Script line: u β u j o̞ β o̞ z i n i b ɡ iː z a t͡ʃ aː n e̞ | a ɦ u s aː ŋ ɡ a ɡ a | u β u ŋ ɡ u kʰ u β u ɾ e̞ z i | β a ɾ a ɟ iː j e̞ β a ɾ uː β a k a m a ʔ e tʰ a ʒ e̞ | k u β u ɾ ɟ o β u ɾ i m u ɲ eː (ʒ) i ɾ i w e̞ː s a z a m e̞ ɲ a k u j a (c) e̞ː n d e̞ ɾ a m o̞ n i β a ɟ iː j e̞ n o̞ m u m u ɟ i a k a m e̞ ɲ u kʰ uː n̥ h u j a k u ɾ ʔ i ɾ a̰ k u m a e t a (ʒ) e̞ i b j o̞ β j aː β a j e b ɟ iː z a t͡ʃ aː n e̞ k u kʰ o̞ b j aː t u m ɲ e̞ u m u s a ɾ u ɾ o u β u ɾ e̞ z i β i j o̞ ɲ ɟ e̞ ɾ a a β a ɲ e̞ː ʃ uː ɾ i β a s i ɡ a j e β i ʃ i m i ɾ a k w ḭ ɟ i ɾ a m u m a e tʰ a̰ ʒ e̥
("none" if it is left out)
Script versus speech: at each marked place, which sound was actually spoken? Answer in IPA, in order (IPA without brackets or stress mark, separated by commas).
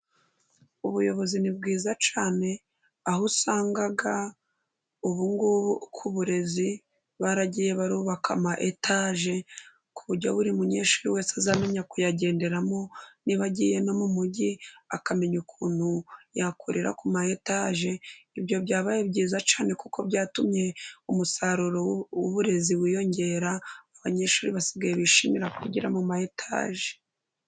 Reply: ʃ, ɟ, ʒ